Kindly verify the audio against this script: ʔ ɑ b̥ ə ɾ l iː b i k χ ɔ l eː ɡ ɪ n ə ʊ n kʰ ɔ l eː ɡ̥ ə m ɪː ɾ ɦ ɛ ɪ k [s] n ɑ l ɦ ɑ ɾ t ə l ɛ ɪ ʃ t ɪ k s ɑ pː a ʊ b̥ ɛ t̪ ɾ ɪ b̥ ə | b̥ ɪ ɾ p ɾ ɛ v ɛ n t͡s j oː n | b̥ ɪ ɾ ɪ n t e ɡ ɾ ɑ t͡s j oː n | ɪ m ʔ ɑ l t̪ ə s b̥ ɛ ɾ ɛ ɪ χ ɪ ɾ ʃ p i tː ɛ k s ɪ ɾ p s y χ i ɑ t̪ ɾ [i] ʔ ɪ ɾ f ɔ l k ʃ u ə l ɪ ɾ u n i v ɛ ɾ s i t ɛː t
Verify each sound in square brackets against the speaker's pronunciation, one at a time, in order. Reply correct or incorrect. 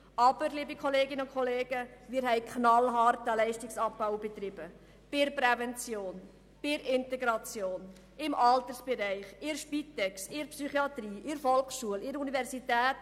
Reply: incorrect, incorrect

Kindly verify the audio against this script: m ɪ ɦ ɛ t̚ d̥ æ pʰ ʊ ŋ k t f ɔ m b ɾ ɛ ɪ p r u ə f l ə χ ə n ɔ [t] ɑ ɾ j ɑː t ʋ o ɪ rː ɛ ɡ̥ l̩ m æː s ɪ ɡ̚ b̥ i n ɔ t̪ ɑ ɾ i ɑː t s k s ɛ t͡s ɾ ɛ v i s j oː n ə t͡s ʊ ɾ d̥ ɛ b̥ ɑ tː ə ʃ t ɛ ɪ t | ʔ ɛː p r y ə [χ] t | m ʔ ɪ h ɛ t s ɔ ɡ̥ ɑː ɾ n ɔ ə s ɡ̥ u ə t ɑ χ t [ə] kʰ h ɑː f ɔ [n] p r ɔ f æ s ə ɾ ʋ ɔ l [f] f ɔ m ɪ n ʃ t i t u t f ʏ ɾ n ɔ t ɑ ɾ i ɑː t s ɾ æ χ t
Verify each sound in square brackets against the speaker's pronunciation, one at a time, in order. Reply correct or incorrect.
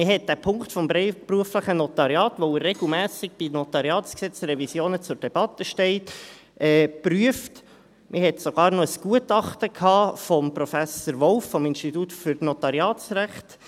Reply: correct, incorrect, correct, incorrect, correct

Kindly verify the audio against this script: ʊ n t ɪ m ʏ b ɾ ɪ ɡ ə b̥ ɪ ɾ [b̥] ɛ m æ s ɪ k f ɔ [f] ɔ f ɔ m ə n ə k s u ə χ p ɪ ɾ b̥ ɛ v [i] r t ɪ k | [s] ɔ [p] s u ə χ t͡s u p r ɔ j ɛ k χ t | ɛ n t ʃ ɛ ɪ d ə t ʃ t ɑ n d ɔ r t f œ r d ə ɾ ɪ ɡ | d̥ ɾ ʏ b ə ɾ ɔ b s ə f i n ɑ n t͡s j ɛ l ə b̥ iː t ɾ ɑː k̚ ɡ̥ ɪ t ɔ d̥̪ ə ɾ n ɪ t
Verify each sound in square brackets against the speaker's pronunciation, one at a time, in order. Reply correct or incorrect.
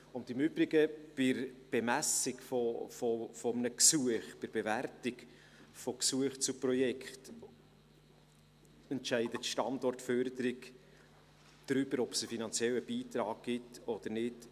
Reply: correct, correct, incorrect, incorrect, incorrect

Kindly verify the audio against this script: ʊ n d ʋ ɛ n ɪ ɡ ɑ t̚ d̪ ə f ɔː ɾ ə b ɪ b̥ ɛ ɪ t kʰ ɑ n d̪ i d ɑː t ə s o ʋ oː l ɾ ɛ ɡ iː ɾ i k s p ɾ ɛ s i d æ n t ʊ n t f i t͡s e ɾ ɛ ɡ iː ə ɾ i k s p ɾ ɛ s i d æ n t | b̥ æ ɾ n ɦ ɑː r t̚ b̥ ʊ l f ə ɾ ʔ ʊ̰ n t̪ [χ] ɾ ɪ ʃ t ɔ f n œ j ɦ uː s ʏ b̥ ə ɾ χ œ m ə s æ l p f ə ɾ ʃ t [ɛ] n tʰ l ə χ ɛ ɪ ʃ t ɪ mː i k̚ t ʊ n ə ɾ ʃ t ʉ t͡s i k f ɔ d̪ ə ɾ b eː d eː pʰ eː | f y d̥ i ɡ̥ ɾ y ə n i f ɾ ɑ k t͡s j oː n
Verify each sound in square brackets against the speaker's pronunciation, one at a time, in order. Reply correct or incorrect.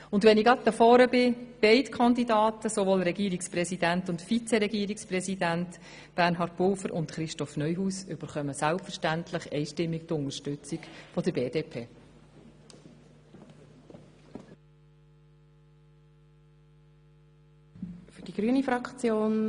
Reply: correct, incorrect

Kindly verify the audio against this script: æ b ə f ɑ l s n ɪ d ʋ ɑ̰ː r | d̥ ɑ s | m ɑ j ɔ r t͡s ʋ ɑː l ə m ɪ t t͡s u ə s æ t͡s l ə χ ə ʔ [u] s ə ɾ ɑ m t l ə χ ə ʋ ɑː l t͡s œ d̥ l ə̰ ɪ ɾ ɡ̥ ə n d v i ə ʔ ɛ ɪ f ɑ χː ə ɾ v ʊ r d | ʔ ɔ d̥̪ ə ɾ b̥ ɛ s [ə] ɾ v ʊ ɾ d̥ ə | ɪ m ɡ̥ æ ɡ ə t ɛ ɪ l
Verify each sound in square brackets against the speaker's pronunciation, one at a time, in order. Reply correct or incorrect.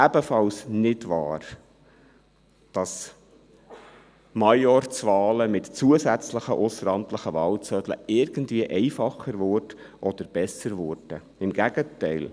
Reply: incorrect, correct

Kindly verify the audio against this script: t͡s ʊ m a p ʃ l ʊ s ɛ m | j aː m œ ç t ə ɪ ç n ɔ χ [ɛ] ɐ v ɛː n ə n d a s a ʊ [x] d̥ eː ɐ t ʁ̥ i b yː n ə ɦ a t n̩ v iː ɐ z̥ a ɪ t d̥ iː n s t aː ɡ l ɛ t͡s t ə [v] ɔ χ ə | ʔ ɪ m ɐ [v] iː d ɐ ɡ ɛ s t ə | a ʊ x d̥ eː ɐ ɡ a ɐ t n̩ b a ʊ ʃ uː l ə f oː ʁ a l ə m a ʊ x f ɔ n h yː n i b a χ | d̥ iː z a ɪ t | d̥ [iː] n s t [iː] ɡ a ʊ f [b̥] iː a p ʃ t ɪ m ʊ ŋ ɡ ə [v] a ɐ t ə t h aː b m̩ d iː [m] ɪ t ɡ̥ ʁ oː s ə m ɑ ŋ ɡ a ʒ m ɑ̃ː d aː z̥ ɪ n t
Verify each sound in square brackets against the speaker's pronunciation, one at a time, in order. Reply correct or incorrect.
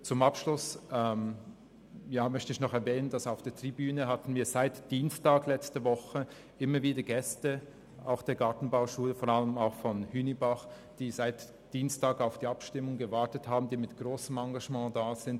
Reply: correct, incorrect, correct, correct, correct, incorrect, incorrect, correct, correct

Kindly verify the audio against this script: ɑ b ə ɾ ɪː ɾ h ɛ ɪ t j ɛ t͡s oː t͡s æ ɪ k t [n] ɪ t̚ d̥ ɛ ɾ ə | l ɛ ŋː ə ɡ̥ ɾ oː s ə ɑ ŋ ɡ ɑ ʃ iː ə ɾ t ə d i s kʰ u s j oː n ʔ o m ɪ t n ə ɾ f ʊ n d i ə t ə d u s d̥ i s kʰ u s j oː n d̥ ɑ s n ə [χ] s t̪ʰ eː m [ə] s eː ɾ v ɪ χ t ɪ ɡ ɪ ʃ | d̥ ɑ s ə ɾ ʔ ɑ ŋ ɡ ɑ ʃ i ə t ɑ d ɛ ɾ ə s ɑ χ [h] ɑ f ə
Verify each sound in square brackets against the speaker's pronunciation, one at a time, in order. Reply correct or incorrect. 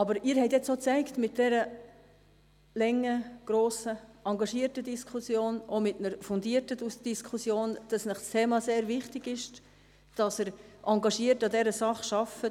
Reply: incorrect, correct, incorrect, incorrect

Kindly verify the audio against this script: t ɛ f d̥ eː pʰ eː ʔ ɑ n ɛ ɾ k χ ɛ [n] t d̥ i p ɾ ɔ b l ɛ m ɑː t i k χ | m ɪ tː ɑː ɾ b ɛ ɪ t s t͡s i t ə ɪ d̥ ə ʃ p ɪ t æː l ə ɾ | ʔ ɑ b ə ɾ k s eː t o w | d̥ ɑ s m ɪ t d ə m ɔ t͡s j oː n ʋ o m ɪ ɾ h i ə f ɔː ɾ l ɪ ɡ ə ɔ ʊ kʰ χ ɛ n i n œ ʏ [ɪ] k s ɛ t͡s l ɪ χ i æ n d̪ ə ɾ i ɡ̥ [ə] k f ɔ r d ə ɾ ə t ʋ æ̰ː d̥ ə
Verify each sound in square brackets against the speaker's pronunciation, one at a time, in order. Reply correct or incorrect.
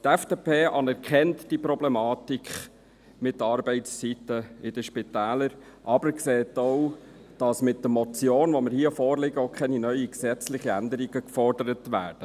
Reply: correct, incorrect, correct

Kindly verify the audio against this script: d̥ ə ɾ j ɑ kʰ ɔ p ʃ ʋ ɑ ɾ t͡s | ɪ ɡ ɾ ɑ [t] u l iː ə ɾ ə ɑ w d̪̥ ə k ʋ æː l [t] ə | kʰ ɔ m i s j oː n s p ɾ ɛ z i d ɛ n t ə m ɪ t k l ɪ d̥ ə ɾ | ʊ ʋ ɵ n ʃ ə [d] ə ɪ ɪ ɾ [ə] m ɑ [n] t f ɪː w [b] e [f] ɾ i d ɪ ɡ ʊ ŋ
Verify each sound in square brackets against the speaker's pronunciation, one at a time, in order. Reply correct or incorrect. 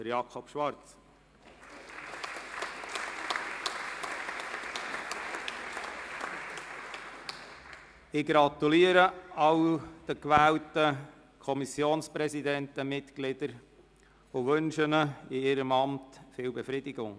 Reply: correct, correct, incorrect, correct, incorrect, correct, correct

